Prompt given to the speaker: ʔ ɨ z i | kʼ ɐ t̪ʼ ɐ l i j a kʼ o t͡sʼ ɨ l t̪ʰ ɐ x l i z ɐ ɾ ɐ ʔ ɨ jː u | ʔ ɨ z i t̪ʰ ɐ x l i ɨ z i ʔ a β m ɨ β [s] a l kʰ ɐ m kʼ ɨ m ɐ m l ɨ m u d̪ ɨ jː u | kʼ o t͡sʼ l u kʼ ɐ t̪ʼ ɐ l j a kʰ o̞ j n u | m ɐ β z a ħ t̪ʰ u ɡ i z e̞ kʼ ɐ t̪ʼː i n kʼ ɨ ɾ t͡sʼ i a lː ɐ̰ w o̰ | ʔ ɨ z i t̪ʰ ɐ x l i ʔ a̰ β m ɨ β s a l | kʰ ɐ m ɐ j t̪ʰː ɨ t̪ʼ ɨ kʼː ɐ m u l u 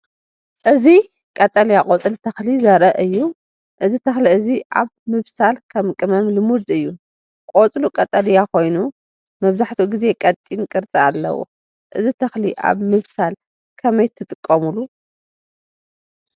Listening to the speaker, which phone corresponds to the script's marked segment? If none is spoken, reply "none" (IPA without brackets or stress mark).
s